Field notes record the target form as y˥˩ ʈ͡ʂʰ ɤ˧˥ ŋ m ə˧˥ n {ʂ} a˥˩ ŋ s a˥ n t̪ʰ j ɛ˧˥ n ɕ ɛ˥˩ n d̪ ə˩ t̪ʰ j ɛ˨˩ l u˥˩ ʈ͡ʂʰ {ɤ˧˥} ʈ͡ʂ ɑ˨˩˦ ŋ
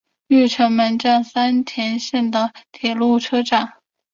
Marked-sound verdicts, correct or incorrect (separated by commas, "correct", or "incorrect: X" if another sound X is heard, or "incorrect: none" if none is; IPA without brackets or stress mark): incorrect: ʈ͡ʂ, incorrect: ɤ˥